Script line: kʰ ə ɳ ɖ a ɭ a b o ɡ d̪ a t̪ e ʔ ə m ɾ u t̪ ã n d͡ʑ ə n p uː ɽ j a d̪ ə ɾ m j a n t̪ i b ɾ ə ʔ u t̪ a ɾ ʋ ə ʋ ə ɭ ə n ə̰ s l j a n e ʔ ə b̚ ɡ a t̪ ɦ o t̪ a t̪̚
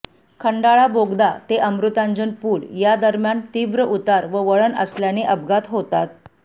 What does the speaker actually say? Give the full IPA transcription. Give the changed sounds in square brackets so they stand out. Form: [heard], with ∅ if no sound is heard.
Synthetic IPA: kʰ ə ɳ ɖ a ɭ a b o ɡ d̪ a t̪ e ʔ ə m ɾ u t̪ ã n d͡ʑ ə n p uː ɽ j a d̪ ə ɾ m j a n t̪ i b ɾ ə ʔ u t̪ a ɾ ʋ ə ʋ ə ɭ ə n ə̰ s l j a n e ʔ ə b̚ ɡ a t̪ ɦ o t̪ a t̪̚

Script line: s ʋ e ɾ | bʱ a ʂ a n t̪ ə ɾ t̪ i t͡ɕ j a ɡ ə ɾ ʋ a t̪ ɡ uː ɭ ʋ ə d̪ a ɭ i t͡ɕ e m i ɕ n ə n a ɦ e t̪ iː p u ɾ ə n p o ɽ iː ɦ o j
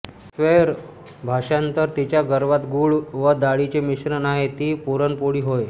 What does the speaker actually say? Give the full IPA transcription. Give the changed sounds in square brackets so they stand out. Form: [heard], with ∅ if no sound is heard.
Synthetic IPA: s ʋ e ɾ | bʱ a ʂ a n t̪ ə ɾ t̪ i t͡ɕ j a ɡ ə ɾ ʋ a t̪ ɡ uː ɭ ʋ ə d̪ a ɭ i t͡ɕ e m i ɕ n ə n a ɦ e t̪ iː p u ɾ ə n p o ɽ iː ɦ o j

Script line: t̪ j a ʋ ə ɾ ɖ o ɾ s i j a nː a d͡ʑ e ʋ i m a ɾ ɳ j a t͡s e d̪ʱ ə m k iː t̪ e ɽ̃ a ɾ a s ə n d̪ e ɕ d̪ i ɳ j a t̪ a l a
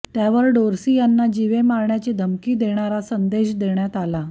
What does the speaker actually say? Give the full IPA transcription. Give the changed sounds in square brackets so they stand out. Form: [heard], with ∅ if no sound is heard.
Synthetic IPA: t̪ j a ʋ ə ɾ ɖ o ɾ s i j a nː a d͡ʑ [i] ʋ [e] m a ɾ ɳ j a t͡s e d̪ʱ ə m k iː [d̪] e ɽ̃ a ɾ a s ə n d̪ e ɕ d̪ [e] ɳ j a t̪ a l a

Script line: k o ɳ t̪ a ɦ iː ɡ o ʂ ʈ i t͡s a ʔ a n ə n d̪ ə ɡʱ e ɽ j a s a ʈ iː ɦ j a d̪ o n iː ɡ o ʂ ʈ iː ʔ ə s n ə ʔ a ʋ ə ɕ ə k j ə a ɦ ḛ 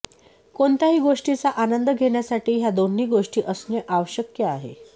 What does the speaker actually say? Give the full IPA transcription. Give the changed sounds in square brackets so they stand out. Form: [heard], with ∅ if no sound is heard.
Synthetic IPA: k o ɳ t̪ a ɦ iː ɡ o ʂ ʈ i t͡s a ʔ a n ə n d̪ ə ɡʱ e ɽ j a s a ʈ iː ɦ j a d̪ o n iː ɡ o ʂ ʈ iː ʔ ə s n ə ʔ a ʋ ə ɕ ə k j ə a ɦ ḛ

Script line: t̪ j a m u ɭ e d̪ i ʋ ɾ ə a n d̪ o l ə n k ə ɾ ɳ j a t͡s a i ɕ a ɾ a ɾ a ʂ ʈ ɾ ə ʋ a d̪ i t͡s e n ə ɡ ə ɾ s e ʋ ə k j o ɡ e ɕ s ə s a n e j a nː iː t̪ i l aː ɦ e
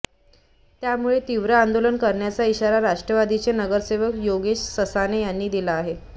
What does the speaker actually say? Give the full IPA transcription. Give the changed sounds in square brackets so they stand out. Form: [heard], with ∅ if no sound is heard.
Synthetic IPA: t̪ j a m u ɭ e [t̪] i ʋ ɾ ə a n d̪ o l ə n k ə ɾ ɳ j a t͡s a i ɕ a ɾ a ɾ a ʂ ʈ ɾ ə ʋ a d̪ i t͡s e n ə ɡ ə ɾ s e ʋ ə k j o ɡ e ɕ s ə s a n e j a nː iː [d̪] i l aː ɦ e

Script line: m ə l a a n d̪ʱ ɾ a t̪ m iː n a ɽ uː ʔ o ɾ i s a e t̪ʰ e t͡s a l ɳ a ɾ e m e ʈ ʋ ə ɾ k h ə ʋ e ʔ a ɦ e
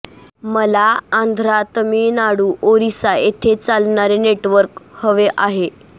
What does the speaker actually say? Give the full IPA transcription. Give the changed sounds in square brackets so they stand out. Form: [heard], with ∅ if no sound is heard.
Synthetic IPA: m ə l a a n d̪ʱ ɾ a t̪ m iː n a ɽ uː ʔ o ɾ i s a e t̪ʰ e t͡s a l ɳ a ɾ e [n] e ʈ ʋ ə ɾ k h ə ʋ e ʔ a ɦ e

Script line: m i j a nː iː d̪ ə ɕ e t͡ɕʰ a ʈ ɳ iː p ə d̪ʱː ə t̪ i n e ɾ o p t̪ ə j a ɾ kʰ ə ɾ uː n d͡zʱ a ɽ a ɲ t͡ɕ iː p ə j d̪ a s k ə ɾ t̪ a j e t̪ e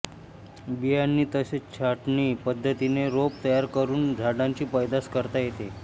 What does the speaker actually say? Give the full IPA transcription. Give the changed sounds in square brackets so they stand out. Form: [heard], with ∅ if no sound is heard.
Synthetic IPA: [b] i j a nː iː [t̪] ə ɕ e t͡ɕʰ a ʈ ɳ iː p ə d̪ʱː ə t̪ i n e ɾ o p t̪ ə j a ɾ [k] ə ɾ uː n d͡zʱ a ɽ a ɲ t͡ɕ iː p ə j d̪ a s k ə ɾ t̪ a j e t̪ e

